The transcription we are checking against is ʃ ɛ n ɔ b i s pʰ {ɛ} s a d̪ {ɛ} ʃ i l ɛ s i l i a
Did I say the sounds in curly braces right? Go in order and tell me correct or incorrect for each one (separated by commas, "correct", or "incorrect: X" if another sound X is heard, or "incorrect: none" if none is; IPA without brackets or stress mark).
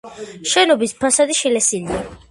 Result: incorrect: a, incorrect: i